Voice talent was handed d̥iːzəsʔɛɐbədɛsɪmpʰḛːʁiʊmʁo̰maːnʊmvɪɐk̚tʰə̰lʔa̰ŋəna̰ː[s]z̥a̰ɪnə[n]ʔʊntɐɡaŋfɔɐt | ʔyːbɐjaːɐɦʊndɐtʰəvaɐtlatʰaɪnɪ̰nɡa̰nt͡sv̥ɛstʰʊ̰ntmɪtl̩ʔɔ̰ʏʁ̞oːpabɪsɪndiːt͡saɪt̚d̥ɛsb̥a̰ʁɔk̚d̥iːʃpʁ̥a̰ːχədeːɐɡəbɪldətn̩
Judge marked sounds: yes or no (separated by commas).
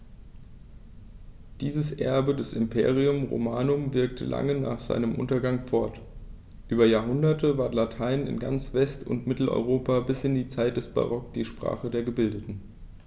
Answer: no, no